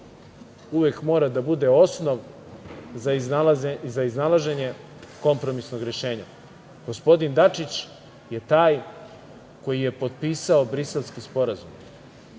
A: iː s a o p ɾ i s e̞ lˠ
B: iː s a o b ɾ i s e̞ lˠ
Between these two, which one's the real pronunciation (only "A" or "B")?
B